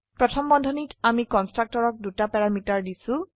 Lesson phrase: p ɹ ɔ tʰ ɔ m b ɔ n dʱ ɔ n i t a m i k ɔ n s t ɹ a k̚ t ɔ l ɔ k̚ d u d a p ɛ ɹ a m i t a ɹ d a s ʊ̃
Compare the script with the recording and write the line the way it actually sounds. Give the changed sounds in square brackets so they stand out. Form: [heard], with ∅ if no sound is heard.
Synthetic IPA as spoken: p ɹ ɔ tʰ ɔ m b ɔ n dʱ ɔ n i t a m i k ɔ n s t ɹ a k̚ t ɔ [ɹ] ɔ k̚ d u [t] a p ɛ ɹ a m i t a ɹ d [i] s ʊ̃